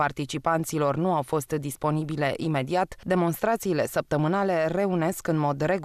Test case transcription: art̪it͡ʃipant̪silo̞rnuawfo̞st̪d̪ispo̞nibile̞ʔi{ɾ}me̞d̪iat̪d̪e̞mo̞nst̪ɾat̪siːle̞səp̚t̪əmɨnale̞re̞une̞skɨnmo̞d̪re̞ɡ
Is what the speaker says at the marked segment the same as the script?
no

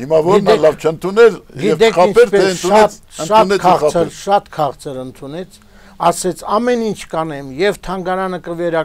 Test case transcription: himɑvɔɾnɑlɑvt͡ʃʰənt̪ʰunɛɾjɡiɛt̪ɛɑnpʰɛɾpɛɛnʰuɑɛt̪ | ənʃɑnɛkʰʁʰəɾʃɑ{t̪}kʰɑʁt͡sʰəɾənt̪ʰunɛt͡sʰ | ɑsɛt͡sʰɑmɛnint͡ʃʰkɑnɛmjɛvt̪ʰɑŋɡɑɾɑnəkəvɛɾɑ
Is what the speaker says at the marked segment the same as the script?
yes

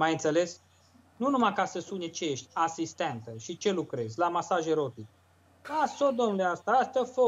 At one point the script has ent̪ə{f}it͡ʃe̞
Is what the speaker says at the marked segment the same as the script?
no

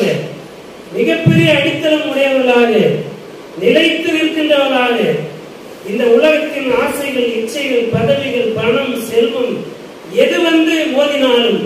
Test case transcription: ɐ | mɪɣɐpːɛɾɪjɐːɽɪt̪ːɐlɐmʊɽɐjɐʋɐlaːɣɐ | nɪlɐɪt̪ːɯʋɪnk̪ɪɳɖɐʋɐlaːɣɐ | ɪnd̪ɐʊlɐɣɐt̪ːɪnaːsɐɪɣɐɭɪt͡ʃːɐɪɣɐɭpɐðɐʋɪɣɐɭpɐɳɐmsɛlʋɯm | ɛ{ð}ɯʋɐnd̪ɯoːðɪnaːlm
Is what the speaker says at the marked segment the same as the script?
yes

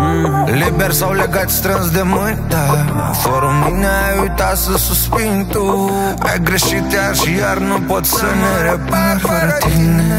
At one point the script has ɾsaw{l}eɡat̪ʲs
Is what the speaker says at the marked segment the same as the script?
yes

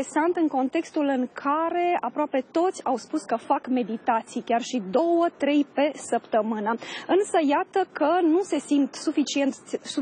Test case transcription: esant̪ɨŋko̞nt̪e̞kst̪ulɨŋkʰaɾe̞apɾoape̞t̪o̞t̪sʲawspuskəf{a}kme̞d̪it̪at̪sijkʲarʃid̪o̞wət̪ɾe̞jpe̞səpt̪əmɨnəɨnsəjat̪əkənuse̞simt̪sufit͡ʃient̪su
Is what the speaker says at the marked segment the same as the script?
yes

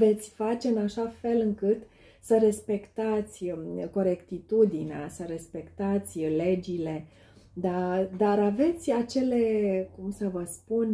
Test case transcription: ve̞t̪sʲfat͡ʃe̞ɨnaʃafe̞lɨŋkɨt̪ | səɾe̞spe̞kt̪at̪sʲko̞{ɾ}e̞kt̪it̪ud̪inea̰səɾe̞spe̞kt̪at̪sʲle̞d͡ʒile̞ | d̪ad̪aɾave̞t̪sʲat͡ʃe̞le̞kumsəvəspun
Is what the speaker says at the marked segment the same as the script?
yes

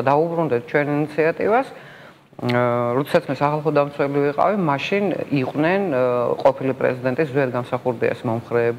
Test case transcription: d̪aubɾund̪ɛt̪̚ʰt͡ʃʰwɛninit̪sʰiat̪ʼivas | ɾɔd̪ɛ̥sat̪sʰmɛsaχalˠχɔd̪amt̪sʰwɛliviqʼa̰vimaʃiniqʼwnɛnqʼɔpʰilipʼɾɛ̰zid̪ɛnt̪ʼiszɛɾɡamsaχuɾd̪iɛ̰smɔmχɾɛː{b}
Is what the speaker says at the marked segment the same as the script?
yes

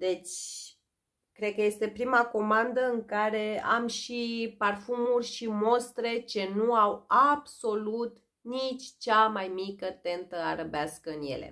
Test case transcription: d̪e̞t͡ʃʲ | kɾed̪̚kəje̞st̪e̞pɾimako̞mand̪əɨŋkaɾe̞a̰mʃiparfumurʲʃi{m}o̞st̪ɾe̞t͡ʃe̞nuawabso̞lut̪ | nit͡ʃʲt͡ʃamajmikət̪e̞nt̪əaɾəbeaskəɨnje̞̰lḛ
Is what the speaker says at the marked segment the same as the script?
yes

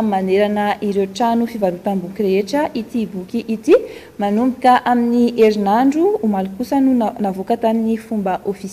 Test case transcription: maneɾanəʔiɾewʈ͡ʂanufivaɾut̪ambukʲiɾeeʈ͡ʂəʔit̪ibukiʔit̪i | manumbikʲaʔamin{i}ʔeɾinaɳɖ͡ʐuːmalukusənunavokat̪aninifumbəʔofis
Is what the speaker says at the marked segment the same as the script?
yes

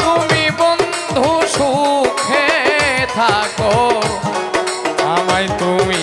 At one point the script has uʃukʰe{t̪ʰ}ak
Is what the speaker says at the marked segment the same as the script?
yes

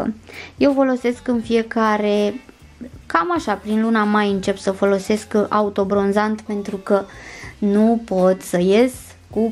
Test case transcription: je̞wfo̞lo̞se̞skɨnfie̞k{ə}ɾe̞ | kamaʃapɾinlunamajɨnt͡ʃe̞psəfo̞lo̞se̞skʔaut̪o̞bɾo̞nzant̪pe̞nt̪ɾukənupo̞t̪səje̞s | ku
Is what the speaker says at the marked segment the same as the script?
no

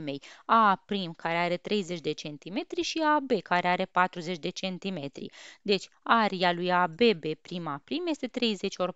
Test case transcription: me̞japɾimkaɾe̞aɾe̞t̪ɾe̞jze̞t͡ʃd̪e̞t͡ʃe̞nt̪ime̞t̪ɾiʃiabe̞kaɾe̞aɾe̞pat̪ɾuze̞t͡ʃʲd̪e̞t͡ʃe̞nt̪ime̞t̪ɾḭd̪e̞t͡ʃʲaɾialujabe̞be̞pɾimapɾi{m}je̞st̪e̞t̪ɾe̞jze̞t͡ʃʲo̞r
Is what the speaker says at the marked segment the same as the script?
yes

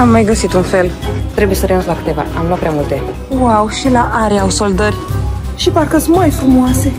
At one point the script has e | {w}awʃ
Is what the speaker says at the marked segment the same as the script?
yes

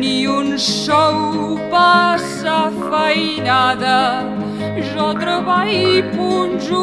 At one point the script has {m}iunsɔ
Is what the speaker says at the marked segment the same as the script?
no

